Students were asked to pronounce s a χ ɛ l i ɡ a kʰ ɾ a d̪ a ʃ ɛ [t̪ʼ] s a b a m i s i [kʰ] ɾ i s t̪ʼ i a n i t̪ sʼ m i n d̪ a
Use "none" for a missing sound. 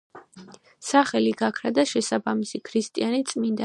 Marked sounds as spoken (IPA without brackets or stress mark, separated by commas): none, kʰ